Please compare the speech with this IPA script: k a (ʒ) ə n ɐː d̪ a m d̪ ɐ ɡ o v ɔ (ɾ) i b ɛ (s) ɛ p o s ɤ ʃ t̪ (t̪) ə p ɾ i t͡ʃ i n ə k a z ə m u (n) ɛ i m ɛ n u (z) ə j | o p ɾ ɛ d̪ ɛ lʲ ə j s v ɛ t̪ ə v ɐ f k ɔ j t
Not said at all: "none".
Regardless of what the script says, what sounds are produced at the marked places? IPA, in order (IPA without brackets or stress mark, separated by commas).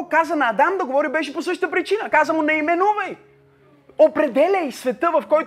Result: z, ɾ, ʃ, t̪, n, v